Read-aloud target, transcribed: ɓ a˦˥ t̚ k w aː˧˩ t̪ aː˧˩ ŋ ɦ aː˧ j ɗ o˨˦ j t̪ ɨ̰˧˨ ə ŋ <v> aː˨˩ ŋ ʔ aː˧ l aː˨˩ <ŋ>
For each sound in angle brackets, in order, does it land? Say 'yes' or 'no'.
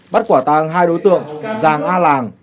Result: no, yes

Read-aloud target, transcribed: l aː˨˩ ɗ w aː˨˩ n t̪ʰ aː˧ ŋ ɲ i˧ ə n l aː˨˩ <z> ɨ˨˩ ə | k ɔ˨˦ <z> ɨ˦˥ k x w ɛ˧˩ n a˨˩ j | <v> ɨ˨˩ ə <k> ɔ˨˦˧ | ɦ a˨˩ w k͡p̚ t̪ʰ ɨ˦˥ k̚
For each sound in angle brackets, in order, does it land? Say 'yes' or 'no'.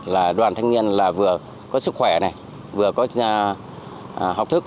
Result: no, no, yes, yes

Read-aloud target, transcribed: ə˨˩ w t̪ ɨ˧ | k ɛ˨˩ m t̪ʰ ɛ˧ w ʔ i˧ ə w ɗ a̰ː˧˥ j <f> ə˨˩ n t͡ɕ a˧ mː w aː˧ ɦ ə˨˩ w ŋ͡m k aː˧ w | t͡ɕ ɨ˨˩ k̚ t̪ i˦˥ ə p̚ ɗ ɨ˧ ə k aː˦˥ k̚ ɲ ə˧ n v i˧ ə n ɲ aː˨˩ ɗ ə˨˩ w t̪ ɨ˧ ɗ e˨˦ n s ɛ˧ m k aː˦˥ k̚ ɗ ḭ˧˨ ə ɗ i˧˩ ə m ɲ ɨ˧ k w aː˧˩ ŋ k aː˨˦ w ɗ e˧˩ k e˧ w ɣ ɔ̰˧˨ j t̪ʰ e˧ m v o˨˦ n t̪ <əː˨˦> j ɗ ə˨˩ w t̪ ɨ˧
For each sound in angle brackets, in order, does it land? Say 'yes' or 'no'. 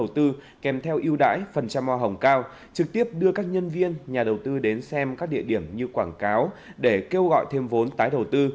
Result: yes, no

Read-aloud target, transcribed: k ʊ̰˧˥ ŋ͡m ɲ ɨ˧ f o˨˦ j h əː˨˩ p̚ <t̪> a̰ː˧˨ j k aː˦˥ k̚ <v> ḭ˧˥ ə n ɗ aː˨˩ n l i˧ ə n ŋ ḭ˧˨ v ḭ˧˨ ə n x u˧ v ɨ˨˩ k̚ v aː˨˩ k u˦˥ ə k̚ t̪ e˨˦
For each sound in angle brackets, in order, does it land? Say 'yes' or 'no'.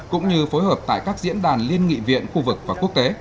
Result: yes, no

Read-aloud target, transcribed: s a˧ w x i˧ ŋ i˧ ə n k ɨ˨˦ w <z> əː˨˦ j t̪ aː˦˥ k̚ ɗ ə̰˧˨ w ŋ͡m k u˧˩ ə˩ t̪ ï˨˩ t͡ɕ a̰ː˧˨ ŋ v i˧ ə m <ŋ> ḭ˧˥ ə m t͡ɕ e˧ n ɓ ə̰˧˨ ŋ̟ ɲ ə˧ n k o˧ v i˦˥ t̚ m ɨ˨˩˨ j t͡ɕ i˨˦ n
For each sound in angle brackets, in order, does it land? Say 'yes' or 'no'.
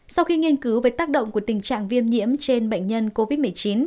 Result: no, no

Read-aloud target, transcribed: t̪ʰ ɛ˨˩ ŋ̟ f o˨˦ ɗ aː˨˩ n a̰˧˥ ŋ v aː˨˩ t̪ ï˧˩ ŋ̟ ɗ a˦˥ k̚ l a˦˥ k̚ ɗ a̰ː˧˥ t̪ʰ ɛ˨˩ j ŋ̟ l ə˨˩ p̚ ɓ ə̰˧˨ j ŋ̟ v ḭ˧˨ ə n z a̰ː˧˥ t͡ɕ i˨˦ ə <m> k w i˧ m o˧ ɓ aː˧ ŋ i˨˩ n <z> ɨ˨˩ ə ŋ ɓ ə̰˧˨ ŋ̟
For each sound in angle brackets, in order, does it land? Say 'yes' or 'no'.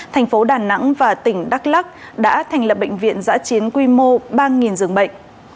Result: no, yes

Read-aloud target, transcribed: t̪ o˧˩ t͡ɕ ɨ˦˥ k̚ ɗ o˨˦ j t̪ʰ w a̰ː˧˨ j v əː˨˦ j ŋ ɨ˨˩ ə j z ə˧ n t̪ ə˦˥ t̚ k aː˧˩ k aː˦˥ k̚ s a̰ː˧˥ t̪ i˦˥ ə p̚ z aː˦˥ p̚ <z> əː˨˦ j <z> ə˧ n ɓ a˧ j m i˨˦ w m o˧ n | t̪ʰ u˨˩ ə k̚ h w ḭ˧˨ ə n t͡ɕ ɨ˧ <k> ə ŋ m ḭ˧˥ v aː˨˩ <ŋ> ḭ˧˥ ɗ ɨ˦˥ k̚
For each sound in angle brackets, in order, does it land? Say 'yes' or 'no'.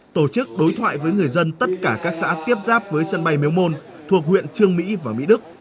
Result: no, no, no, no

